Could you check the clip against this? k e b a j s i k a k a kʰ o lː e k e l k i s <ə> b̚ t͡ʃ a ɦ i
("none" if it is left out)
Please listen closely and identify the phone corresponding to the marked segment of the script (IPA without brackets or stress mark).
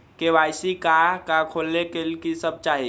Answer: ə